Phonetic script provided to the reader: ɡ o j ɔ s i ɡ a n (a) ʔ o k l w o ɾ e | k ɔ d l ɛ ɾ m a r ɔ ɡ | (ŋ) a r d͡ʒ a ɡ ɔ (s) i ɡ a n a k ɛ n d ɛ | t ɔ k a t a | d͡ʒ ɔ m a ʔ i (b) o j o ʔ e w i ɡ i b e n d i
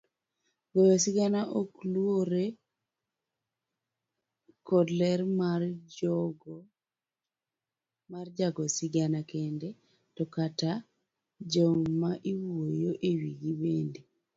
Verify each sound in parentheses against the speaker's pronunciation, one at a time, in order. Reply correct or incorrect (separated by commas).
correct, incorrect, correct, incorrect